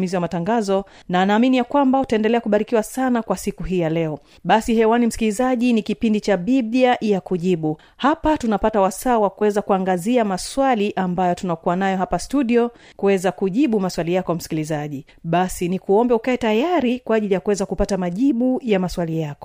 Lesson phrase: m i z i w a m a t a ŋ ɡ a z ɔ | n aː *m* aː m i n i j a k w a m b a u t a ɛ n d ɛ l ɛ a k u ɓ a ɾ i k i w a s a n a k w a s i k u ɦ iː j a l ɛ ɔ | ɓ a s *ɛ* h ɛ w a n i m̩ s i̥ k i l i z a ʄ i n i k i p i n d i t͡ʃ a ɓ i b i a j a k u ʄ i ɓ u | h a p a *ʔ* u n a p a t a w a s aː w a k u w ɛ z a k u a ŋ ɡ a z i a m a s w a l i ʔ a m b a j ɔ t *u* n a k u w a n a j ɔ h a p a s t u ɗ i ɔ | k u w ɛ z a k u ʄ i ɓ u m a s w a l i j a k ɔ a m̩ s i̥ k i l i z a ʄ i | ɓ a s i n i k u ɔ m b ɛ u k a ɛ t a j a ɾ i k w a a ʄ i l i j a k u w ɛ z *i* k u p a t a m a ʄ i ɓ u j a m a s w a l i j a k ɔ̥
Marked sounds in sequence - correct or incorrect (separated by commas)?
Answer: incorrect, incorrect, incorrect, correct, incorrect